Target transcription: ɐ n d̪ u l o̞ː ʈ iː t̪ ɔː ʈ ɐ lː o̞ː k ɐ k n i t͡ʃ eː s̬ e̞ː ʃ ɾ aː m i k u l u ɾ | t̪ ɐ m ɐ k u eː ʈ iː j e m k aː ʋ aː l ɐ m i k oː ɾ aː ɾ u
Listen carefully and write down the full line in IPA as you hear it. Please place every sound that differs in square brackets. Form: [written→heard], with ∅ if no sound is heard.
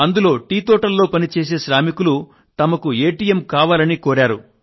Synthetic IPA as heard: ɐ n d̪ u l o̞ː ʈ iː t̪ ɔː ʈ ɐ lː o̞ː [k→p] ɐ [k→∅] n i t͡ʃ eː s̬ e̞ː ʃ ɾ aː m i k u l u [ɾ→∅] | t̪ ɐ m ɐ k u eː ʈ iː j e m k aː ʋ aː l ɐ [m→n] i k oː ɾ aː ɾ u